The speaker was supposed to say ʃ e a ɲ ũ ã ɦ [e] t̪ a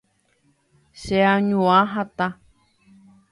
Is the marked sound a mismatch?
yes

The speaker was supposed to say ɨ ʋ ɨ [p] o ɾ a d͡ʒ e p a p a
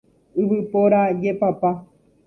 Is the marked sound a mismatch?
no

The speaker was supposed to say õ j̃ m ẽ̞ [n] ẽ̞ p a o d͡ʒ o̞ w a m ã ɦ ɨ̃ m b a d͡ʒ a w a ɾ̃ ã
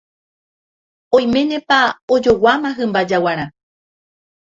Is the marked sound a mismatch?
no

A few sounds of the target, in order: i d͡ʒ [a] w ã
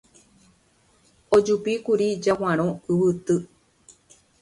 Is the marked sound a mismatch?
no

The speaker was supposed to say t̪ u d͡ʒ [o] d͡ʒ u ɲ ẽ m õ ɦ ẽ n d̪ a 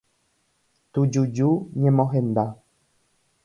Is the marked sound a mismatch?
yes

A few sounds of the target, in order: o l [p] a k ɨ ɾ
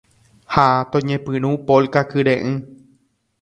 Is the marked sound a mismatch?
yes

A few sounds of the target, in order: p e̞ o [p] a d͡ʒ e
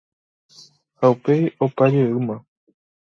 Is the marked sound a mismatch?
no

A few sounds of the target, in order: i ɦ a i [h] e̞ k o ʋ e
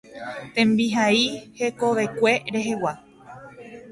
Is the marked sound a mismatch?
no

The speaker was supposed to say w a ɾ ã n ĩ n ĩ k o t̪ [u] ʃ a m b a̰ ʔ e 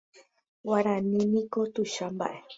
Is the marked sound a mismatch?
no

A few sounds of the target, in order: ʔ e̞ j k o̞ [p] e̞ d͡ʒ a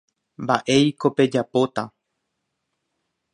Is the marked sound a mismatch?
no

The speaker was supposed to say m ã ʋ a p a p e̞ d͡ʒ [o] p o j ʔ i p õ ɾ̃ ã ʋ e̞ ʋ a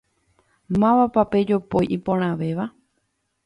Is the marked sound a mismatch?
no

